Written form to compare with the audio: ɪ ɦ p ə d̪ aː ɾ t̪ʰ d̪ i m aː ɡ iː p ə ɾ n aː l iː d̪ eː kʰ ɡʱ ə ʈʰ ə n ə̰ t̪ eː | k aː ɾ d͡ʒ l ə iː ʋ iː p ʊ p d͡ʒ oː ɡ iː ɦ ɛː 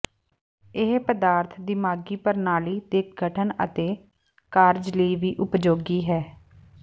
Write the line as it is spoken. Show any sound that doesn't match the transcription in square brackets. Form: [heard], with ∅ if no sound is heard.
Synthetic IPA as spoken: ɪ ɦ p ə d̪ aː ɾ t̪ʰ d̪ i m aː ɡ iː p ə ɾ n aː l iː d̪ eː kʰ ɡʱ ə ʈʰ ə n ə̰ t̪ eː | k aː ɾ d͡ʒ l ə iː ʋ iː [ʔ] ʊ p d͡ʒ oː ɡ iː ɦ ɛː